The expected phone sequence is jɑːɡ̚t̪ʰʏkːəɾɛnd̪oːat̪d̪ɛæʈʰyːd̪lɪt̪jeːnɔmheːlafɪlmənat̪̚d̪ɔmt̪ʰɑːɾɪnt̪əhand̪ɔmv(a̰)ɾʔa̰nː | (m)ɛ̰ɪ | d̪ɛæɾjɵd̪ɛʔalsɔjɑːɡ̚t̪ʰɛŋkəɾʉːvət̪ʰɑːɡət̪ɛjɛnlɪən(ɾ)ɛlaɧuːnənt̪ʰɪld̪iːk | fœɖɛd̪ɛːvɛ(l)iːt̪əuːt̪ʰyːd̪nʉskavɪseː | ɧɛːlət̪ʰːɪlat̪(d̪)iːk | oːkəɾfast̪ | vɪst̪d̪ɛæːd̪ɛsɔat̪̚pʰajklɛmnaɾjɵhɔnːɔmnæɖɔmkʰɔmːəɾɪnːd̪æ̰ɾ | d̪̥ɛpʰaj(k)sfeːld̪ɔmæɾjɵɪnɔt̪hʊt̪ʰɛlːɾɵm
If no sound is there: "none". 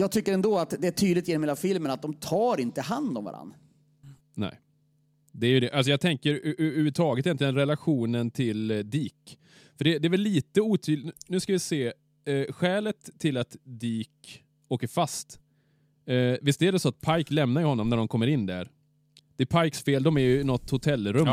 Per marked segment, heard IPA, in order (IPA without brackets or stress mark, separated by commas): a̰, n, ɾ, lː, d̪, k